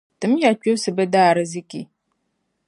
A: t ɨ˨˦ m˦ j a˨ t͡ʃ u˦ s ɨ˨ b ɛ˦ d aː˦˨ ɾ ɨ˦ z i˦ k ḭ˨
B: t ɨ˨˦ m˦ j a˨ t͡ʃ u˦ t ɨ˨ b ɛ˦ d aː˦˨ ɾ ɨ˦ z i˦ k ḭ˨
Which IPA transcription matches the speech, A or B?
A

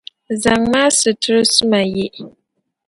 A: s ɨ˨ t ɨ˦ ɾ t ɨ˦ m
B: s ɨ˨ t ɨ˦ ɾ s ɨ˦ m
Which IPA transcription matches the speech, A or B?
B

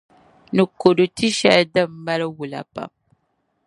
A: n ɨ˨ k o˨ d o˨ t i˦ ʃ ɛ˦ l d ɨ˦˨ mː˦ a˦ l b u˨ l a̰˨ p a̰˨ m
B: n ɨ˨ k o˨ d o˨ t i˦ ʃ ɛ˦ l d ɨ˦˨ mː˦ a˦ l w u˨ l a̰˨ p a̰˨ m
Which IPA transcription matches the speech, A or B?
B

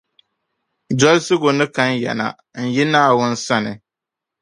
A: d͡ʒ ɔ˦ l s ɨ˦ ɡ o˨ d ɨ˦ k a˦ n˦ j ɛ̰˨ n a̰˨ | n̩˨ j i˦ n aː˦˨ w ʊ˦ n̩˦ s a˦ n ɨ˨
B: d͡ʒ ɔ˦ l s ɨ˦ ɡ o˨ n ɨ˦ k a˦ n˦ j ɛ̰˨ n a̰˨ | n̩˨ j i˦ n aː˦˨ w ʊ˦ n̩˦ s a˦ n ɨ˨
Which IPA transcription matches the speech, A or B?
B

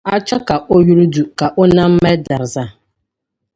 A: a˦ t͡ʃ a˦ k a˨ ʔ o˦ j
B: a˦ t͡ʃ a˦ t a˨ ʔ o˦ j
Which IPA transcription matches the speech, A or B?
A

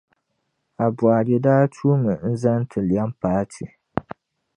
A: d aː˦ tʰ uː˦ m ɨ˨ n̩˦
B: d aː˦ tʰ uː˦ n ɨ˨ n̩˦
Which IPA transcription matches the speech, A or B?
A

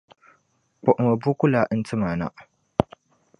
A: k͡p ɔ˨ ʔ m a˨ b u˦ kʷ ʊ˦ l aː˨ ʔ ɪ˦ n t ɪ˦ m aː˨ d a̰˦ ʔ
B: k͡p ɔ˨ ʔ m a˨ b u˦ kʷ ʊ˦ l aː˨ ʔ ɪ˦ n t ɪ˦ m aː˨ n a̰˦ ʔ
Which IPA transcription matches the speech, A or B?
B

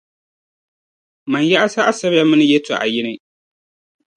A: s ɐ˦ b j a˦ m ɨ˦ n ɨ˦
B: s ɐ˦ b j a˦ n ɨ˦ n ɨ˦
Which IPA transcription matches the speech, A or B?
A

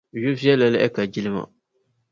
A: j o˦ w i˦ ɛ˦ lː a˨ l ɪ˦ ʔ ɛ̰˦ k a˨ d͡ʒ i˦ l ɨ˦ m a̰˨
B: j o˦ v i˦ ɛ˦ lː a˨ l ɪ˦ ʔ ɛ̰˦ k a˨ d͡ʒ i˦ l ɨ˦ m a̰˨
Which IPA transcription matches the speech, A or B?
B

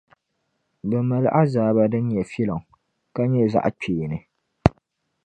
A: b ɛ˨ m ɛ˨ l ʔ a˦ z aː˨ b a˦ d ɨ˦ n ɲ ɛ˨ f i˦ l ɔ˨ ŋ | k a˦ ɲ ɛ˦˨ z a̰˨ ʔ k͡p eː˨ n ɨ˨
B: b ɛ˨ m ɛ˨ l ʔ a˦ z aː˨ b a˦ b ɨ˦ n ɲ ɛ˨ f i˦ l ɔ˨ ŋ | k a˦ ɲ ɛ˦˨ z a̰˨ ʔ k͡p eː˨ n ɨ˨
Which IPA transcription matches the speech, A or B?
A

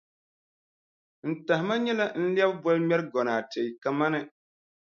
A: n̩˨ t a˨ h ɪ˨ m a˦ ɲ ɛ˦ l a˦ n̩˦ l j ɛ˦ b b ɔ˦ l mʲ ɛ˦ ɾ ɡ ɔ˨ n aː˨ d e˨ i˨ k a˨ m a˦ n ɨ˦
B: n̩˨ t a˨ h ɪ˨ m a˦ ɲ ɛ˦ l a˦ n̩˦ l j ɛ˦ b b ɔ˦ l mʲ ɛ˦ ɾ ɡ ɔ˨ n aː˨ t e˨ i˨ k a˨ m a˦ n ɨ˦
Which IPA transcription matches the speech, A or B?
B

